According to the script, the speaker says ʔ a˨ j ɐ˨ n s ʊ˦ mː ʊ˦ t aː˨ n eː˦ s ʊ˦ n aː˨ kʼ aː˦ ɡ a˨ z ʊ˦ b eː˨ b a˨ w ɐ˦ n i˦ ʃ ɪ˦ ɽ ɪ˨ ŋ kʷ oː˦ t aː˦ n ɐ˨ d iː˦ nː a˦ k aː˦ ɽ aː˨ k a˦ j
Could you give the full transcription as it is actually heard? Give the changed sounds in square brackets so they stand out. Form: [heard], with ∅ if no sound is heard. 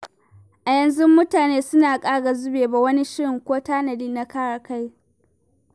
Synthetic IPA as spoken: ʔ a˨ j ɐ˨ n [z] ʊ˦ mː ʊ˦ t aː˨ n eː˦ s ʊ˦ n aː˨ kʼ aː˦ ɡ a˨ z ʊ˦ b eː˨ b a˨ w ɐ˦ n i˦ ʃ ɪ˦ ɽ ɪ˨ ŋ kʷ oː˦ t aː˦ n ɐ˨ d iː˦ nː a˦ k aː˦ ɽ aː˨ k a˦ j